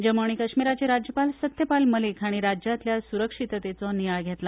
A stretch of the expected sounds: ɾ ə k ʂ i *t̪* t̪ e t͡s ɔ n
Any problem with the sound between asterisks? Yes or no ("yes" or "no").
no